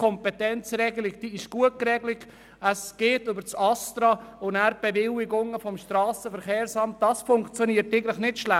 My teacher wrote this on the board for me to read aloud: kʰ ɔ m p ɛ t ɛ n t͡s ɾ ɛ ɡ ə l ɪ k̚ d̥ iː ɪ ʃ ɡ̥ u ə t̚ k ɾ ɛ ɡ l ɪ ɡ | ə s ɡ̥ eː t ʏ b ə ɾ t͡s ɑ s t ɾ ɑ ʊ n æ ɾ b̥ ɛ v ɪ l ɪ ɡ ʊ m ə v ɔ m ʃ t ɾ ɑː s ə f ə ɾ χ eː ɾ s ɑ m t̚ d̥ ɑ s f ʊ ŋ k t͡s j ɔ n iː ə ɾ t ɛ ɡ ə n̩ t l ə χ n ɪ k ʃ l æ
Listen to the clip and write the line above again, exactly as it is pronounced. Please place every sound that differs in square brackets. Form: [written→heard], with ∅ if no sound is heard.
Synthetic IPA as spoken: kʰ ɔ m p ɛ t ɛ n t͡s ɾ ɛ ɡ ə l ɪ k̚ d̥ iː ɪ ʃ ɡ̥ u ə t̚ k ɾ ɛ ɡ l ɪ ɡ | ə s ɡ̥ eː t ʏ b ə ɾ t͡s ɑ s t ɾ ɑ ʊ n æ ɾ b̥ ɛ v ɪ l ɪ ɡ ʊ [m→ŋ] ə [v→f] ɔ m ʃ t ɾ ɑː s ə f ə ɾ χ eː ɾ s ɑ m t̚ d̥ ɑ s f ʊ ŋ k t͡s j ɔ n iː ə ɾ t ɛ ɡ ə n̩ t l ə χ n ɪ [k→t] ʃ l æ